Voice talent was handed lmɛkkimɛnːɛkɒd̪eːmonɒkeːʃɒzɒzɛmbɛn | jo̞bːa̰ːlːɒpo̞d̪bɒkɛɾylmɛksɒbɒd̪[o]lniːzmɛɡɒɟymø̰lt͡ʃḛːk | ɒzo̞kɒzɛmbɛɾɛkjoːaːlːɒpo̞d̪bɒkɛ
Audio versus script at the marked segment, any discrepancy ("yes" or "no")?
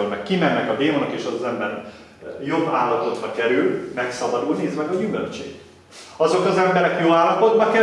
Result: yes